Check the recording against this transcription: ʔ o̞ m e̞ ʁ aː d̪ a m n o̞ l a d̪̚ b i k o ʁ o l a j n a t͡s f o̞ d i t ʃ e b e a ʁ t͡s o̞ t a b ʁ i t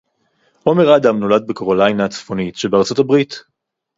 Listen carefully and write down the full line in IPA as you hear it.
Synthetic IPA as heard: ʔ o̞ m e̞ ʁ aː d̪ a m n o̞ l a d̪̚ b e k o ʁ o l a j n a t͡s f o̞ n i t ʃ e b e a ʁ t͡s o̞ t a b ʁ i t